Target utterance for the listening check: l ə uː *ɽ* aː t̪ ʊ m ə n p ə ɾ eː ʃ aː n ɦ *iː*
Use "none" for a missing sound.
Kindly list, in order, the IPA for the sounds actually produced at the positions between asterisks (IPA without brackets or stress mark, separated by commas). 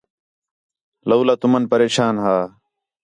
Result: l, aː